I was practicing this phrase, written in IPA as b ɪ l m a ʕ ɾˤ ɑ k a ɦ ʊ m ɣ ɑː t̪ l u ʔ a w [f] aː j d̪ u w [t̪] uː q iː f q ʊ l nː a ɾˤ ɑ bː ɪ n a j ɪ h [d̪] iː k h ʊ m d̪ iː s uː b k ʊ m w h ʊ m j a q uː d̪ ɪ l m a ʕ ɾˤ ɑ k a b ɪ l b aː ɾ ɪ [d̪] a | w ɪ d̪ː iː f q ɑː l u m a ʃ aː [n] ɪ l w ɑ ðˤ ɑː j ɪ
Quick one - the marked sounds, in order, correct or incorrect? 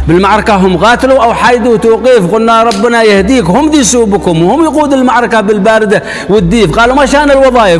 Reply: incorrect: ħ, correct, correct, correct, correct

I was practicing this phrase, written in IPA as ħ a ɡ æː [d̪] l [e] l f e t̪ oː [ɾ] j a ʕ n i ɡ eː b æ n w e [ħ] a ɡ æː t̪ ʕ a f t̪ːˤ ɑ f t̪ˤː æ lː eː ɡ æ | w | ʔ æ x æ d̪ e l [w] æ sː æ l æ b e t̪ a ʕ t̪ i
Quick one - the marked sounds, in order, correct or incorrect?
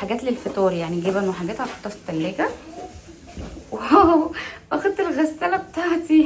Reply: incorrect: t̪, correct, correct, correct, incorrect: ɣ

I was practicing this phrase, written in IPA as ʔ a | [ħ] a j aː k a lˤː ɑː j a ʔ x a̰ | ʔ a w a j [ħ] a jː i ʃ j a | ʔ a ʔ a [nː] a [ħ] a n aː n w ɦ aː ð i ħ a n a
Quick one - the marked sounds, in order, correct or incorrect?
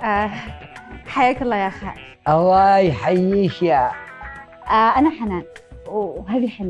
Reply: correct, correct, incorrect: n, correct

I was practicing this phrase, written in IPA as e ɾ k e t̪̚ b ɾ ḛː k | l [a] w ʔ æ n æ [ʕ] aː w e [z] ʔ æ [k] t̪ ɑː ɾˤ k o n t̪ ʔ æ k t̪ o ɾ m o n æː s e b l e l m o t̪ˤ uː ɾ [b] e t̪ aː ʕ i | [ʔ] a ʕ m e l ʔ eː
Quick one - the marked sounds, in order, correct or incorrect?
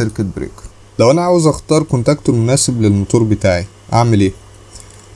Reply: incorrect: æ, correct, correct, incorrect: x, correct, correct

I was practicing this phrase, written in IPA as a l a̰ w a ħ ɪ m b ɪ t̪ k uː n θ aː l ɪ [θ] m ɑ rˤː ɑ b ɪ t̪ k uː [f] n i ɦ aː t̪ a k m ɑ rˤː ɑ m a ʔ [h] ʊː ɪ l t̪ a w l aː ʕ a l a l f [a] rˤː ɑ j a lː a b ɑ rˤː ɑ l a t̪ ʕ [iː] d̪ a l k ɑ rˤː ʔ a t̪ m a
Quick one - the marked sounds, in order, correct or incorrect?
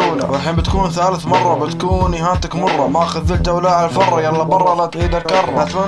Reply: correct, incorrect: none, incorrect: x, incorrect: ɑ, correct

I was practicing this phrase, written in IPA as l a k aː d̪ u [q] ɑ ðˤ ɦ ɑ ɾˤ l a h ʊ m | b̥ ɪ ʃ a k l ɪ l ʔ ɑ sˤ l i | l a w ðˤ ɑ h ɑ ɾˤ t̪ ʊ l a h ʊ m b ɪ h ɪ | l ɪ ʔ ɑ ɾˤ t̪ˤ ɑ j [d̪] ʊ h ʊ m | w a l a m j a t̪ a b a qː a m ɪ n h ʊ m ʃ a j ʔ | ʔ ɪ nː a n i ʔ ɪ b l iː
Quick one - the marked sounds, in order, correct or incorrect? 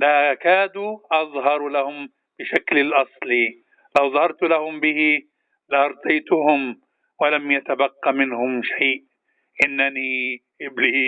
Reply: incorrect: ʔ, incorrect: t̪

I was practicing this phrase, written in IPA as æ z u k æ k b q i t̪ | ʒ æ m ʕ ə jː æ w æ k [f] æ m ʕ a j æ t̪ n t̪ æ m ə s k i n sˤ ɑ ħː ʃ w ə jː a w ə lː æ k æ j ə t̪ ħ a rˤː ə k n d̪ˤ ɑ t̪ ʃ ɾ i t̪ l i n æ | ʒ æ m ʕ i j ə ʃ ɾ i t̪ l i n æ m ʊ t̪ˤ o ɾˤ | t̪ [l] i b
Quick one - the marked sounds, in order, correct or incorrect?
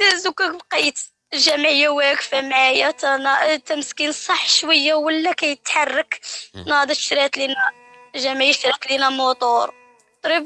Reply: correct, incorrect: ɾ

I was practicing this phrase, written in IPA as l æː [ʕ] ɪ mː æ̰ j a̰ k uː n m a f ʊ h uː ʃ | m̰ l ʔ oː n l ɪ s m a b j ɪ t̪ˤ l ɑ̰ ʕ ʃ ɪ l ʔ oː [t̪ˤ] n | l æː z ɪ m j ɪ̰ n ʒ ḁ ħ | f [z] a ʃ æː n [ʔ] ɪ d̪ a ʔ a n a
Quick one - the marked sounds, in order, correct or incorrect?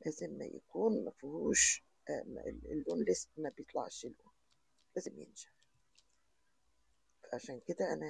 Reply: incorrect: z, incorrect: none, incorrect: ʕ, incorrect: k

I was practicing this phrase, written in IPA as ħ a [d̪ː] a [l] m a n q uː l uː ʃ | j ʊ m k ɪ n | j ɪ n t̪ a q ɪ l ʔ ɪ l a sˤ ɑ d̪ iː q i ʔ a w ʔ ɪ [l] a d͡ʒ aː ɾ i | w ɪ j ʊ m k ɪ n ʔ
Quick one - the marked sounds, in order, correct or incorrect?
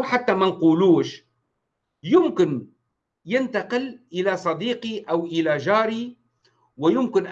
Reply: incorrect: t̪ː, incorrect: none, correct

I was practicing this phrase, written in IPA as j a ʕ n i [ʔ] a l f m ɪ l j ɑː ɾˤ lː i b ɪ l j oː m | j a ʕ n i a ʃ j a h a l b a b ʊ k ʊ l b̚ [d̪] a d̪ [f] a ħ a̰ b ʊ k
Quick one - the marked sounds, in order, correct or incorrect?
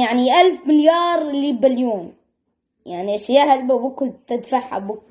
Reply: correct, incorrect: t̪, correct

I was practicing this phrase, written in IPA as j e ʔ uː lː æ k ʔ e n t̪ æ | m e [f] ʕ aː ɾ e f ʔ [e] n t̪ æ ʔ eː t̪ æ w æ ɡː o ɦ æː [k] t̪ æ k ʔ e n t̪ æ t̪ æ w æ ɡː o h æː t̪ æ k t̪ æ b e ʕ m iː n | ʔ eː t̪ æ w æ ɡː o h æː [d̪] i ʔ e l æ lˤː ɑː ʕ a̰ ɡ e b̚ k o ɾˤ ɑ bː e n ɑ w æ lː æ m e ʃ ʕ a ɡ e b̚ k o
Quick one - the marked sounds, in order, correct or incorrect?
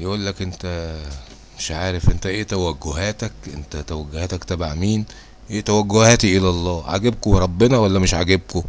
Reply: incorrect: ʃ, correct, incorrect: none, incorrect: t̪

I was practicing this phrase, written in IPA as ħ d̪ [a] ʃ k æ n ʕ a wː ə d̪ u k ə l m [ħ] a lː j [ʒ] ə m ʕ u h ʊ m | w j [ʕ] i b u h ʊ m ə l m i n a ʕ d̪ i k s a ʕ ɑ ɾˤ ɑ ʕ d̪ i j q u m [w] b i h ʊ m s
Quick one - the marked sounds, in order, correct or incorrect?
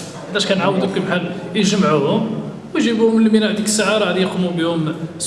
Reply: incorrect: æ, correct, correct, incorrect: ʒ, incorrect: u

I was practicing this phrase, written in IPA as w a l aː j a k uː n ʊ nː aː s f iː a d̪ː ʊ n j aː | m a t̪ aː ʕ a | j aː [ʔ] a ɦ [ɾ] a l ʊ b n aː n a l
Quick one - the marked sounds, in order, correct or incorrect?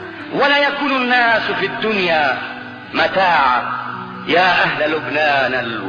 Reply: correct, incorrect: l

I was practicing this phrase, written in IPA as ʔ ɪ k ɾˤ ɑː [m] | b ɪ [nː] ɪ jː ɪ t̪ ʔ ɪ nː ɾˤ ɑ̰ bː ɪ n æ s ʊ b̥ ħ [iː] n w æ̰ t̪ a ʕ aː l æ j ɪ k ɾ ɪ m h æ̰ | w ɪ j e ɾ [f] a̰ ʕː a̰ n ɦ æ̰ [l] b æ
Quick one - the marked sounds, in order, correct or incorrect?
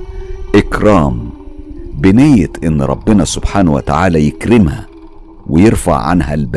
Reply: correct, incorrect: n, incorrect: aː, correct, correct

